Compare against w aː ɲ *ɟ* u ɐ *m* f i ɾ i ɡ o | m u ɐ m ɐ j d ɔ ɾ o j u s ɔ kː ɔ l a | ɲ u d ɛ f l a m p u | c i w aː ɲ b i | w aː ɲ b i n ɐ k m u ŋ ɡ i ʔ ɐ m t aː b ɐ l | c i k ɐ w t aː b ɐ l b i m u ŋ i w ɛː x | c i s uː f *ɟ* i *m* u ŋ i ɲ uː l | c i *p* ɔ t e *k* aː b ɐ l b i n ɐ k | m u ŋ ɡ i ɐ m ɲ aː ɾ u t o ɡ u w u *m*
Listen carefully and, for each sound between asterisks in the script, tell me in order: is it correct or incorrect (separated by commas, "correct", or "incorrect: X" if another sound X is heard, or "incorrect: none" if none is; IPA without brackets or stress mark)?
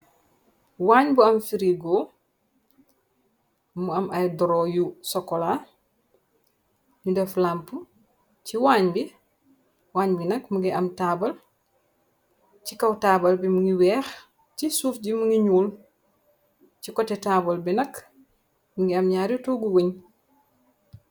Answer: incorrect: b, correct, correct, correct, incorrect: k, incorrect: t, incorrect: ɲ